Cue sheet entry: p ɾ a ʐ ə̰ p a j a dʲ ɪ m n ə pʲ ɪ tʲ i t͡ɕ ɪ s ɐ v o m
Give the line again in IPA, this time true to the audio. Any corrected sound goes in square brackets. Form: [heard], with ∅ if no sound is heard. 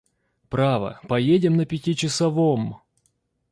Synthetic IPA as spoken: p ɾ a [v] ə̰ p [ɐ] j [e] dʲ ɪ m n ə pʲ ɪ tʲ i t͡ɕ ɪ s ɐ v o m